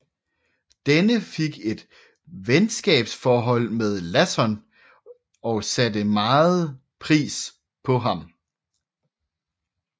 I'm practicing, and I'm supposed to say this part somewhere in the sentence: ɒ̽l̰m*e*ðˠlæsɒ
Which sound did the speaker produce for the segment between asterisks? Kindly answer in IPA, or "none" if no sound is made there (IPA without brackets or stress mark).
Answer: e